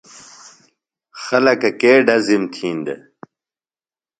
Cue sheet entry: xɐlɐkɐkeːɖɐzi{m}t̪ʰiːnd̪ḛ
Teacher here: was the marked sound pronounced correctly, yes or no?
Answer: yes